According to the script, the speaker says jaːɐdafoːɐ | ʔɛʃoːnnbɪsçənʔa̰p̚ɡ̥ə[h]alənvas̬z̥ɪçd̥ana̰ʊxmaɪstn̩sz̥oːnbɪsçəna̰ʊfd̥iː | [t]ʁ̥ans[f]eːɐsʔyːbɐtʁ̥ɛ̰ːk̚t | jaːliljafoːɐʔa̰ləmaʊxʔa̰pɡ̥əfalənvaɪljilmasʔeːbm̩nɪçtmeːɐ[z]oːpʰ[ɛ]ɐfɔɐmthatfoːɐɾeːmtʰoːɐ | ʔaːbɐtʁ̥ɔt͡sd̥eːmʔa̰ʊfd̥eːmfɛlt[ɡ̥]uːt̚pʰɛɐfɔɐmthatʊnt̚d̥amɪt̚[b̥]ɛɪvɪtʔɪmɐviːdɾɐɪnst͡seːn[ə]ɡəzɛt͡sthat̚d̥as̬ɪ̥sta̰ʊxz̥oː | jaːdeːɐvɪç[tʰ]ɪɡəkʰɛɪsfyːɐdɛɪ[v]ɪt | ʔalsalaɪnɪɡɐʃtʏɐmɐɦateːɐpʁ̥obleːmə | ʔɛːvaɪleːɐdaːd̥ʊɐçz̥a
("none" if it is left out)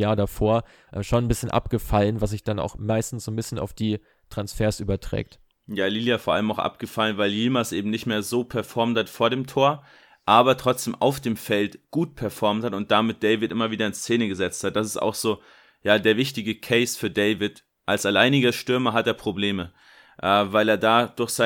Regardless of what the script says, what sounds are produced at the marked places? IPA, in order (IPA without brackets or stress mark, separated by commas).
f, t, f, z, ɛ, ɡ̥, d̥, ə, t, v